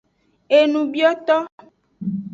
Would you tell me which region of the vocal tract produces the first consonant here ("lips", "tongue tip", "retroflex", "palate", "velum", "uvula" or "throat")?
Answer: tongue tip